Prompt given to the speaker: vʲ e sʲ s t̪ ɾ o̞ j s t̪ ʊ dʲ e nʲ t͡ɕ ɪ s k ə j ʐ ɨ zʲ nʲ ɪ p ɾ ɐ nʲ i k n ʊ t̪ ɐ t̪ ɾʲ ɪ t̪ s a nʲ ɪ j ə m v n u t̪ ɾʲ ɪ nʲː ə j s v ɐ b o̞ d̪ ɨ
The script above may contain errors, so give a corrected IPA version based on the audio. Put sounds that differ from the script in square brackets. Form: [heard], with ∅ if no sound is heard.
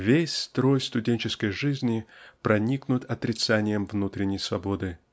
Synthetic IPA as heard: vʲ e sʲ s t̪ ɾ o̞ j s t̪ ʊ dʲ e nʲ t͡ɕ ɪ s k ə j ʐ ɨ zʲ nʲ ɪ p ɾ ɐ nʲ i k n ʊ t̪ ɐ t̪ ɾʲ ɪ t̪ s a nʲ ɪ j ə m v n u t̪ ɾʲ ɪ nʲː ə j s v ɐ b o̞ d̪ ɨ

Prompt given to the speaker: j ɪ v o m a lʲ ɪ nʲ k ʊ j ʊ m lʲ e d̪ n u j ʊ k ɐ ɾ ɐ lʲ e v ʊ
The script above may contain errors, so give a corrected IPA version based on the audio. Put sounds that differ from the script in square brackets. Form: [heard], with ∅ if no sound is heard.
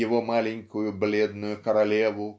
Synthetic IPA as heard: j ɪ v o m a lʲ ɪ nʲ k ʊ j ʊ [b] lʲ e d̪ n [ʊ] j ʊ k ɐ ɾ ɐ lʲ e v ʊ

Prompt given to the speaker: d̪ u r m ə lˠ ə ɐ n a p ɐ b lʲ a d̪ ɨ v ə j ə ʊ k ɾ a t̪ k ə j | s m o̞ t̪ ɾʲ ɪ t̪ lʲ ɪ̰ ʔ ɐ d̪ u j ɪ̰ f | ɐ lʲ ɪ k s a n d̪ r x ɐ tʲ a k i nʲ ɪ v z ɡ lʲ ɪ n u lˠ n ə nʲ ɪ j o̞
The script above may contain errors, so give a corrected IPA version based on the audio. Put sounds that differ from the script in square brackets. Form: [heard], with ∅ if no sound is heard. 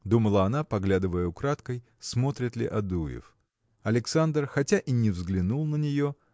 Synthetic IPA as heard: d̪ u [∅] m ə lˠ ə ɐ n a p ɐ [ɡ] lʲ a d̪ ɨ v ə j ə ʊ k ɾ a t̪ k ə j | s m o̞ t̪ ɾʲ ɪ t̪ lʲ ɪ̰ ʔ ɐ d̪ u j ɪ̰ f | ɐ lʲ ɪ k s a n d̪ r x ɐ tʲ a [ʔ] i nʲ ɪ v z ɡ lʲ ɪ n u lˠ n ə nʲ ɪ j o̞

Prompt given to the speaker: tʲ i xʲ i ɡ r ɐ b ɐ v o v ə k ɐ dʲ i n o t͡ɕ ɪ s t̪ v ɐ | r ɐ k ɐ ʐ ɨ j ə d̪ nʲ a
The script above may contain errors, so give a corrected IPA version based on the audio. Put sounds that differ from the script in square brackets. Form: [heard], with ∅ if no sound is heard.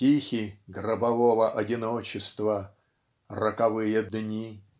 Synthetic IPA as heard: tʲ i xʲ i ɡ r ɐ b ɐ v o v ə [ʔ] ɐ dʲ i n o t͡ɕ ɪ s t̪ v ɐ | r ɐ k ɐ [v] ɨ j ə d̪ nʲ [i]

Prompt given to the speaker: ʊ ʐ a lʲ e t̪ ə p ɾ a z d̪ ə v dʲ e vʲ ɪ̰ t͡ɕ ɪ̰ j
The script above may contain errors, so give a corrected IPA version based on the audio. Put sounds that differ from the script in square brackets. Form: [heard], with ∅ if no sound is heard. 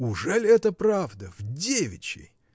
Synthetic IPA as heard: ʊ ʐ [ɛ] lʲ [ɛ] t̪ ə p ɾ a [v] d̪ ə v dʲ e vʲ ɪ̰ t͡ɕ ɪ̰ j

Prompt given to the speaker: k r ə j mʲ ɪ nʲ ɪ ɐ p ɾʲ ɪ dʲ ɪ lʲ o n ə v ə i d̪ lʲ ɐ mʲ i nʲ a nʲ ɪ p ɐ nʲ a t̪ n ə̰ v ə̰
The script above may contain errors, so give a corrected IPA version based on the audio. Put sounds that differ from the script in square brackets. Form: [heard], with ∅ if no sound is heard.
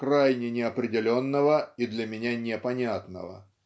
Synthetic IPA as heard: k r [a] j [nʲ] ɪ nʲ ɪ ɐ p ɾʲ ɪ dʲ ɪ lʲ o [nː] ə v ə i d̪ lʲ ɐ mʲ [ɪ] nʲ a nʲ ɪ p ɐ nʲ a t̪ n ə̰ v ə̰

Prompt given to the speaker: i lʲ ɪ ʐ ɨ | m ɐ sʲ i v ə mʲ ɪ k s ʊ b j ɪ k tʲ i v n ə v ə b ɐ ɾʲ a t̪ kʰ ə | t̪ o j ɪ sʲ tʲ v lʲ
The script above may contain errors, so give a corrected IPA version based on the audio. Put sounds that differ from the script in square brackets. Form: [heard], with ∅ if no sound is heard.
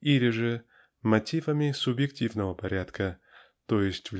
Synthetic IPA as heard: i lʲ ɪ ʐ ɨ | m ɐ [tʲ] i v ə mʲ ɪ [∅] s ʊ b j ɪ k tʲ i v n ə v ə [p] ɐ ɾʲ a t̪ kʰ ə | t̪ o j ɪ sʲ tʲ v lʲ

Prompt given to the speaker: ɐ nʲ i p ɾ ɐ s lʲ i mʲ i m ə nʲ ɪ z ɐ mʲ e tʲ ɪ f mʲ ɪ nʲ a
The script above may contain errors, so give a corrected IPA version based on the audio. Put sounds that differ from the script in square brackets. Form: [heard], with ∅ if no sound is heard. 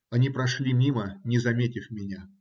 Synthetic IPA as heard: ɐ nʲ i p ɾ ɐ [ʂ] lʲ i mʲ i m ə nʲ ɪ z ɐ mʲ e tʲ ɪ f mʲ ɪ nʲ a

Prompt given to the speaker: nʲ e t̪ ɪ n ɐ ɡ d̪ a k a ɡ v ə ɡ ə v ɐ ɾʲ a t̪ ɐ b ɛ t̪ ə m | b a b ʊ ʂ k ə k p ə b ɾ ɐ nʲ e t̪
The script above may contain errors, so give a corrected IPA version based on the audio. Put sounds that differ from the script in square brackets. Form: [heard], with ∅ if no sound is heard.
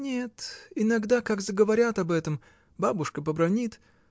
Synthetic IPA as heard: nʲ e t̪ ɪ n ɐ ɡ d̪ a k a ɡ [z] ə ɡ ə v ɐ ɾʲ a t̪ ɐ b ɛ t̪ ə m | b a b ʊ ʂ k ə [∅] p ə b ɾ ɐ nʲ [i] t̪

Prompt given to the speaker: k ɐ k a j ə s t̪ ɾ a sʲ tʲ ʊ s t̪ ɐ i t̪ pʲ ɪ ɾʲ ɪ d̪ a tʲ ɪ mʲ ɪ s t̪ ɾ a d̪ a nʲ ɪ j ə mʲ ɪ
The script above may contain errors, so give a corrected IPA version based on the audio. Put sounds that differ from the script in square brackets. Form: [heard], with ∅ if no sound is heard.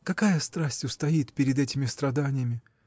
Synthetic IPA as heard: k ɐ k a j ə s t̪ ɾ a sʲ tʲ ʊ s t̪ ɐ i t̪ pʲ ɪ ɾʲ ɪ d̪ [ɛ] tʲ ɪ mʲ ɪ s t̪ ɾ [ɐ] d̪ a nʲ ɪ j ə mʲ ɪ

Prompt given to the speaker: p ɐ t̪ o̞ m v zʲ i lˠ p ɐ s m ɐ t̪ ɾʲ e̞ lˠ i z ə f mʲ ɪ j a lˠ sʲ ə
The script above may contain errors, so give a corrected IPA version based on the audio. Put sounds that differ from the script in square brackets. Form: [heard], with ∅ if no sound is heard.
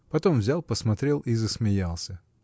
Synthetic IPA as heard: p ɐ t̪ o̞ m v zʲ [a] lˠ p [ə] s m ɐ t̪ ɾʲ e̞ lˠ i z ə [s] mʲ ɪ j a lˠ sʲ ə

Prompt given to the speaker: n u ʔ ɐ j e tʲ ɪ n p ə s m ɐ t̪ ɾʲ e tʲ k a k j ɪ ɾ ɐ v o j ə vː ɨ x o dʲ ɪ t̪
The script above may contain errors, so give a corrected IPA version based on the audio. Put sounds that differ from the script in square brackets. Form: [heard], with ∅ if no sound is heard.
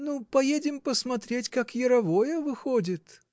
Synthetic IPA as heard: n u [p] ɐ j e [dʲ] ɪ [m] p ə s m ɐ t̪ ɾʲ e tʲ k a k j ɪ ɾ ɐ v o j ə [v] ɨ x o dʲ ɪ t̪

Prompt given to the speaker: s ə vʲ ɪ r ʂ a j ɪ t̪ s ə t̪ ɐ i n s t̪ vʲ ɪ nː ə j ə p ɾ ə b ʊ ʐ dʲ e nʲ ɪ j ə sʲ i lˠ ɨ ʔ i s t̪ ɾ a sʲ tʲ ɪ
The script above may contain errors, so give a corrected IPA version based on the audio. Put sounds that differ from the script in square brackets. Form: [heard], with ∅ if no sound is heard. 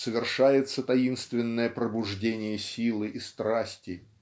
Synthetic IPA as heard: s ə vʲ ɪ r ʂ a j ɪ t̪ s ə t̪ ɐ i n s t̪ vʲ ɪ nː ə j ə p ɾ ə b ʊ ʐ dʲ e nʲ ɪ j ə sʲ i lˠ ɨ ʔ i s t̪ ɾ a sʲ tʲ ɪ

